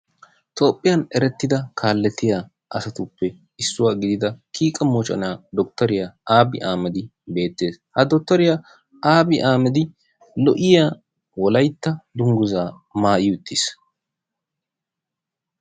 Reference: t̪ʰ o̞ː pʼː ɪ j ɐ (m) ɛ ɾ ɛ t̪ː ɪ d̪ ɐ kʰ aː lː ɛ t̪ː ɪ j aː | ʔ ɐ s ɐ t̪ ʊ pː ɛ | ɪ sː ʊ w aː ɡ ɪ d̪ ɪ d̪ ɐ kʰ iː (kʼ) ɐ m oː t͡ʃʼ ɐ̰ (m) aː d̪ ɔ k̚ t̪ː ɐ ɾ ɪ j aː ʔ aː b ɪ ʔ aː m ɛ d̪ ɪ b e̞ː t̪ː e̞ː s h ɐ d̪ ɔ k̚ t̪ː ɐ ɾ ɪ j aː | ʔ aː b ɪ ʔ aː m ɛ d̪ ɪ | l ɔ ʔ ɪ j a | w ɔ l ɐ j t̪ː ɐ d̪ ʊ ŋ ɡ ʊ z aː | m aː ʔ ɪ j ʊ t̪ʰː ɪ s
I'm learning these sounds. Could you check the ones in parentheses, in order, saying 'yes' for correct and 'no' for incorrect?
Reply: no, yes, no

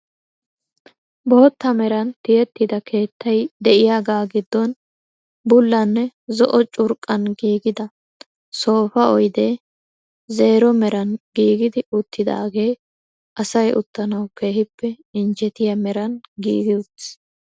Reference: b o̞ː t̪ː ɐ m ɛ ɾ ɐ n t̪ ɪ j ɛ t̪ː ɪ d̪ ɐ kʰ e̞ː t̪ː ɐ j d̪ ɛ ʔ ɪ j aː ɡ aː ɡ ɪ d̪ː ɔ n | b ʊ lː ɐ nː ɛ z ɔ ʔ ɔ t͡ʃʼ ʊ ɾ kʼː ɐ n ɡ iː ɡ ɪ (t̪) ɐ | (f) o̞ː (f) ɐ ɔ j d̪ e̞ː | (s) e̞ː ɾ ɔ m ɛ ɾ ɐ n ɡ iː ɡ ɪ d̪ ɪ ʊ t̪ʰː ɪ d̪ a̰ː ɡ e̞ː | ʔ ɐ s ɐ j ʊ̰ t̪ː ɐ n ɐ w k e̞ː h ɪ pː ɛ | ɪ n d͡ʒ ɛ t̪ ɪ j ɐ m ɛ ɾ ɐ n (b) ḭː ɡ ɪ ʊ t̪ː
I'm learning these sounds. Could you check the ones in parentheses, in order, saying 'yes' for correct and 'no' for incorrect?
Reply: no, no, yes, no, no

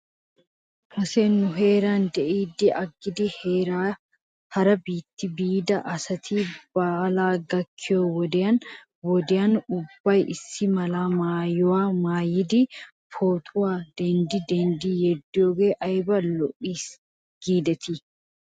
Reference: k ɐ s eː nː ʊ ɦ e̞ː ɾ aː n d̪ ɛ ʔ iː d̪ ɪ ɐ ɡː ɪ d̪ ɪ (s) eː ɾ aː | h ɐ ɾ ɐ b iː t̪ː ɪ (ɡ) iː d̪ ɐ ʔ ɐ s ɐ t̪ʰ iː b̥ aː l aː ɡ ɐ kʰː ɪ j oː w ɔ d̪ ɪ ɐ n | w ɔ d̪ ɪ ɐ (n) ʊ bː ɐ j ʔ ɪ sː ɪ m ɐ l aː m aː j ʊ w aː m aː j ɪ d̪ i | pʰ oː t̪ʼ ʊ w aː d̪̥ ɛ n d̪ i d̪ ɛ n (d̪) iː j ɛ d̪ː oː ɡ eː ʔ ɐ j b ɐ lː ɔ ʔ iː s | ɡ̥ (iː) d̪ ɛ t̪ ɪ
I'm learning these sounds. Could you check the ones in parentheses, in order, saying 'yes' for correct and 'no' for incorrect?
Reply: no, no, yes, yes, yes

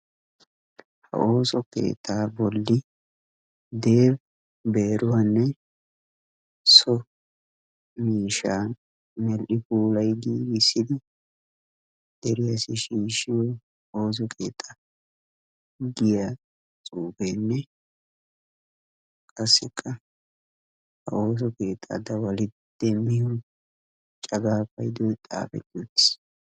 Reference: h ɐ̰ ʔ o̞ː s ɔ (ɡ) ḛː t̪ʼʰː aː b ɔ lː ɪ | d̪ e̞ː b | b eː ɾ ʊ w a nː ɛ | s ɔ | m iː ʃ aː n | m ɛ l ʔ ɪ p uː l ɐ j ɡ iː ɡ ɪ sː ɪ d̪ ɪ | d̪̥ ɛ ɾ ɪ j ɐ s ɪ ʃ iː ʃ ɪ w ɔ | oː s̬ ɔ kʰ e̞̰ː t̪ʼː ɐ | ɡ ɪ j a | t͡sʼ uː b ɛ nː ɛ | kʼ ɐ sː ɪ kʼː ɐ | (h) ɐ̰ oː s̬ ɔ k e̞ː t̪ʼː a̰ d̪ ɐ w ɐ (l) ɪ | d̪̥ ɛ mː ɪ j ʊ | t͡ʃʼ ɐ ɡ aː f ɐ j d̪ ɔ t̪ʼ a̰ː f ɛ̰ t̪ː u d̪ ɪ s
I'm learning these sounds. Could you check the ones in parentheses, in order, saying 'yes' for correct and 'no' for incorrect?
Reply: no, yes, yes

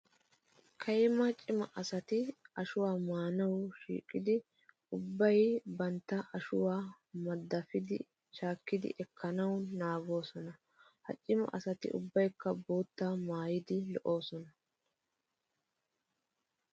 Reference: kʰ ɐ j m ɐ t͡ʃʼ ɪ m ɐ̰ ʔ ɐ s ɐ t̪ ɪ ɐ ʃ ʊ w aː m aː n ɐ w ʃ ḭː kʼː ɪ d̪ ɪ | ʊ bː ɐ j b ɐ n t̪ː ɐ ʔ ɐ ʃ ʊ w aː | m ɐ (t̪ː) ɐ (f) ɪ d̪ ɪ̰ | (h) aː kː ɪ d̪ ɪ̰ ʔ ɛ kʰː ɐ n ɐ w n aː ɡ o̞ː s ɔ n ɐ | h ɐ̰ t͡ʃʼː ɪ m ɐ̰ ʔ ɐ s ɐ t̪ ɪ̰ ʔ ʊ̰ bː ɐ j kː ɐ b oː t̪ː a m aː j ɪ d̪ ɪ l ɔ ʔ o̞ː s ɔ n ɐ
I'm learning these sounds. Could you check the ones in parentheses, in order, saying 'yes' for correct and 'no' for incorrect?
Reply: no, yes, no

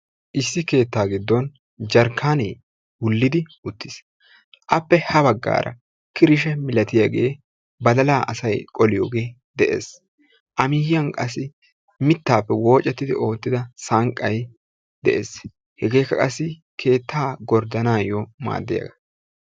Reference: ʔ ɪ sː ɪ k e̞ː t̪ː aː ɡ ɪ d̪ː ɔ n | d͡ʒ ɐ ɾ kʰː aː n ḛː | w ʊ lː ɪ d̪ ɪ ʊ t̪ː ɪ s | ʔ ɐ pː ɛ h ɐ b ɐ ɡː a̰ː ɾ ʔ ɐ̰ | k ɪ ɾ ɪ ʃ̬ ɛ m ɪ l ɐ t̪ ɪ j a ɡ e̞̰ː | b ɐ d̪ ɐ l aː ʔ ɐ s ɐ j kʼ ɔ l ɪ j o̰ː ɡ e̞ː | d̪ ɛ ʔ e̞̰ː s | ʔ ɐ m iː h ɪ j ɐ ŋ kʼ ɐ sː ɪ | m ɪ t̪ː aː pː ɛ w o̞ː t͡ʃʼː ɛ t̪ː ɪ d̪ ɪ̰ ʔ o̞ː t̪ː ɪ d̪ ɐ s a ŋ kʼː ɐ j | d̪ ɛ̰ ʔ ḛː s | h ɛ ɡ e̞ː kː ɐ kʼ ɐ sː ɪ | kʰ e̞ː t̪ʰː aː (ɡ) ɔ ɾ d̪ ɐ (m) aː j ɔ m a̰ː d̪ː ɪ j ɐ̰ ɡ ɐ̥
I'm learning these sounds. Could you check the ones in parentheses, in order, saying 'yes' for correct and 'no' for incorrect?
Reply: yes, no

